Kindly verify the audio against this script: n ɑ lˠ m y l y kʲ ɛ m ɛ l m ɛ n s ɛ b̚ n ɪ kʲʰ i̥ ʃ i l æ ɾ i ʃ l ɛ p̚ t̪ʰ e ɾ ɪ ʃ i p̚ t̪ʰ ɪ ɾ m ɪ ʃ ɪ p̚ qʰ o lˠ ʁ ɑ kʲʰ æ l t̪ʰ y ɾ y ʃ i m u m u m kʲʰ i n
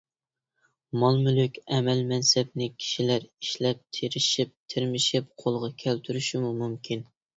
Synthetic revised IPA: m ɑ lˠ m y l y kʲ ɛ m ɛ l m ɛ n s ɛ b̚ n ɪ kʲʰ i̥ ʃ i l æ ɾ i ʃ l ɛ p̚ t̪ʰ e ɾ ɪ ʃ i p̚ t̪ʰ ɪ ɾ m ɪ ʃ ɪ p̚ qʰ o lˠ ʁ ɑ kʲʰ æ l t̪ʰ y ɾ y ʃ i m u m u m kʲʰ i n